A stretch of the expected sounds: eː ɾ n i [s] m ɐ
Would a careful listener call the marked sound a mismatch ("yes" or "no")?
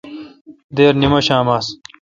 yes